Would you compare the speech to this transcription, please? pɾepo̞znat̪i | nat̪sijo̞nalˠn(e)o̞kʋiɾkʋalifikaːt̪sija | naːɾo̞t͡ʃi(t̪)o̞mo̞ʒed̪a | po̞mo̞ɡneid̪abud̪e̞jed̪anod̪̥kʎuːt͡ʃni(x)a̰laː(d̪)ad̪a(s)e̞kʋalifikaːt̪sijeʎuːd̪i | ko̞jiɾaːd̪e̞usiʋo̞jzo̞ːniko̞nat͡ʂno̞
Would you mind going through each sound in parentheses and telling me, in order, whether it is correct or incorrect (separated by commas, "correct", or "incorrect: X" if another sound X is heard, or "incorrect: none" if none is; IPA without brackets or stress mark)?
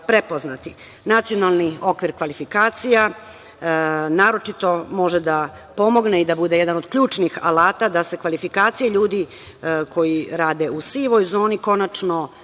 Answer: incorrect: i, correct, correct, incorrect: t̪, correct